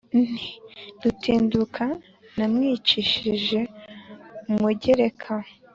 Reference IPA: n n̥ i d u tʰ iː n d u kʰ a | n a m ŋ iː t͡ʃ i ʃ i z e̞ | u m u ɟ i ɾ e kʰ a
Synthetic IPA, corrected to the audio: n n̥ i d u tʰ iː n d u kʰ a | n a m ŋ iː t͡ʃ i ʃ i ʒ e̞ | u m u ɟ e ɾ e kʰ a